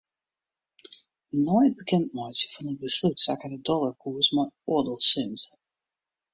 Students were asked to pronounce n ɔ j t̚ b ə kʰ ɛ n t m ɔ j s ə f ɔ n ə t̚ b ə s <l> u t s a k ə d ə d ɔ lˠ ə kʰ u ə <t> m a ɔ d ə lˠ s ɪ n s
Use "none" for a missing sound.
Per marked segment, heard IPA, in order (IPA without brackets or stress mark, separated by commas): l, s